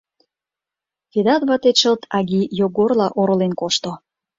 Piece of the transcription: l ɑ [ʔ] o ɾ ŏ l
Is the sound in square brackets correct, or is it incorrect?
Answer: correct